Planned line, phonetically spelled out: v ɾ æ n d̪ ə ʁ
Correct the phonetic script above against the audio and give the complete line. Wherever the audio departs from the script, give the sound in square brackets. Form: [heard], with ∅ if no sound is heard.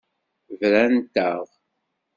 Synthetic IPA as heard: v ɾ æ n [t̪] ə ʁ